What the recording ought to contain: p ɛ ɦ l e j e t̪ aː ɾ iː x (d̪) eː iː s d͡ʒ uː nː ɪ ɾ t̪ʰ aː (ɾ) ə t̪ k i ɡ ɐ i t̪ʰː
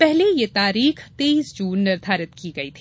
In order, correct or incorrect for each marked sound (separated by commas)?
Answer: incorrect, correct